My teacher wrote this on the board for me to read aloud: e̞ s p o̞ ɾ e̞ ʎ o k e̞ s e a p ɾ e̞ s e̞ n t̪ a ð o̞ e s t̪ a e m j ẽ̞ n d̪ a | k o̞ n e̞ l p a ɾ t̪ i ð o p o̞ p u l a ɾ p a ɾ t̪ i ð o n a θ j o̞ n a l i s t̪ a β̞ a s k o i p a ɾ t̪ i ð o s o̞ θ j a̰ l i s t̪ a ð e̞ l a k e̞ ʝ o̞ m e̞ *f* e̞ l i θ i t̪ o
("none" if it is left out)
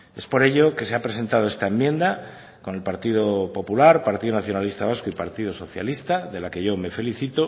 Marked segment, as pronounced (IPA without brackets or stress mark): f